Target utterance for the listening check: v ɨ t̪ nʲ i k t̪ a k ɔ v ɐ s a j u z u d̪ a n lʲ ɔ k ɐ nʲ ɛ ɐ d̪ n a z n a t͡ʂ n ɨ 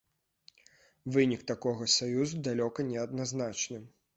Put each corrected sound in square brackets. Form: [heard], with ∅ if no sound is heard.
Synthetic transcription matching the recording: v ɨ [∅] nʲ i k t̪ a k ɔ [ɣ] ɐ s a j u z u d̪ a [∅] lʲ ɔ k ɐ nʲ ɛ ɐ d̪ n a z n a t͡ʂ n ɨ

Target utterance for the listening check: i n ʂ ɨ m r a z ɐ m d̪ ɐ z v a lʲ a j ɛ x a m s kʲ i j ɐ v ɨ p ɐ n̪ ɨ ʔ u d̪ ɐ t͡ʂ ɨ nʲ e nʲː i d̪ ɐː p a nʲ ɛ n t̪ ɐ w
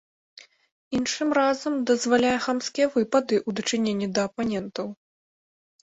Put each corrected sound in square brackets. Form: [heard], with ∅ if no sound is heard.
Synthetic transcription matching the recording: i n ʂ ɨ m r a z ɐ m d̪ ɐ z v a lʲ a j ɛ x a m s kʲ i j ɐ v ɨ p ɐ [d̪] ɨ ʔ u d̪ ɐ t͡ʂ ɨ nʲ e nʲː i d̪ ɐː p a nʲ ɛ n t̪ ɐ w

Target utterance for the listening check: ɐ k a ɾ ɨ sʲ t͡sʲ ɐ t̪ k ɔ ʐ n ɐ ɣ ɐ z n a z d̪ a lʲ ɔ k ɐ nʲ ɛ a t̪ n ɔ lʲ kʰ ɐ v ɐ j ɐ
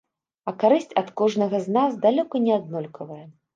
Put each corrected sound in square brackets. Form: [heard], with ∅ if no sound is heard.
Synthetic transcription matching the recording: ɐ k a ɾ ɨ sʲ t͡sʲ ɐ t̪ k ɔ ʐ n ɐ ɣ ɐ z n a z d̪ a lʲ ɔ k ɐ nʲ ɛ a [d̪] n ɔ lʲ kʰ ɐ v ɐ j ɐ

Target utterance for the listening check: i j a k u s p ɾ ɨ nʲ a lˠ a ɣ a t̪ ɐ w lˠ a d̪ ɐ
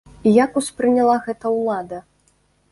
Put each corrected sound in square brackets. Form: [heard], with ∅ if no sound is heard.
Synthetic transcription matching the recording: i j a k u s p ɾ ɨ nʲ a lˠ a ɣ [ɛ] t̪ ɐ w lˠ a d̪ ɐ

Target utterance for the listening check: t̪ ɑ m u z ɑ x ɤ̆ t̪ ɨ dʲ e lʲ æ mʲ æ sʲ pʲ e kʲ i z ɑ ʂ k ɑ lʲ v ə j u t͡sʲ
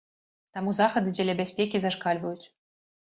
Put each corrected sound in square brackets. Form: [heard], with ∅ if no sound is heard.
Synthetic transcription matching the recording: t̪ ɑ m u z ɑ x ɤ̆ [d̪] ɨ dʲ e lʲ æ [bʲ] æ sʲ pʲ e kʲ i z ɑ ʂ k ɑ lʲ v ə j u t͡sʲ

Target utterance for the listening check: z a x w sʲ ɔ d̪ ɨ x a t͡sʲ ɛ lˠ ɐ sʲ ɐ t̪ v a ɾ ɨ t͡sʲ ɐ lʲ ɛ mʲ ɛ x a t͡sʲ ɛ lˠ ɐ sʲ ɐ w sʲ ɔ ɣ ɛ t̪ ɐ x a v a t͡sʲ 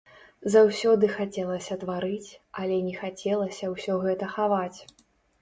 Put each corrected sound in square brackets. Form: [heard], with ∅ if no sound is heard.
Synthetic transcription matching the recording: z a [∅] w sʲ ɔ d̪ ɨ x a t͡sʲ ɛ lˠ ɐ sʲ ɐ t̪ v a ɾ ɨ t͡sʲ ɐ lʲ ɛ [nʲ] ɛ x a t͡sʲ ɛ lˠ ɐ sʲ ɐ w sʲ ɔ ɣ ɛ t̪ ɐ x a v a t͡sʲ

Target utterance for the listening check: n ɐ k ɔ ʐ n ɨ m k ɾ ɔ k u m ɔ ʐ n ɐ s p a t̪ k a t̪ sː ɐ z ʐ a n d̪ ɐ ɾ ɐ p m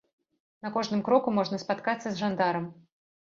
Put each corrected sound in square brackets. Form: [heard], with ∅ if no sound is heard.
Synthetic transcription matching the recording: n ɐ k ɔ ʐ n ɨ m k ɾ ɔ k u m ɔ ʐ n ɐ s p a t̪ k a t̪ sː ɐ z ʐ a n d̪ [a] ɾ ɐ [∅] m

